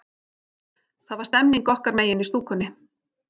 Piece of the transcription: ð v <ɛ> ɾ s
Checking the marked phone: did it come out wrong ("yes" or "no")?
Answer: yes